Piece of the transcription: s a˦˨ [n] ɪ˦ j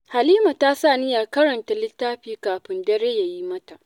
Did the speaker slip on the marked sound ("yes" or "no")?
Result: no